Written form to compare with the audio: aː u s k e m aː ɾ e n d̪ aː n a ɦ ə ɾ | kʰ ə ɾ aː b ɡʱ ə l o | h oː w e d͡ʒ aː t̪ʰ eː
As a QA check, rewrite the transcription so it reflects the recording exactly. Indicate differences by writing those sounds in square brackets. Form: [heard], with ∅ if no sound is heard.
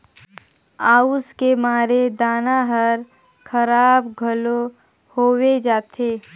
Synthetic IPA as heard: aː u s k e m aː ɾ e [∅] d̪ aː n a ɦ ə ɾ | kʰ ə ɾ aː b ɡʱ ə l o | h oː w e d͡ʒ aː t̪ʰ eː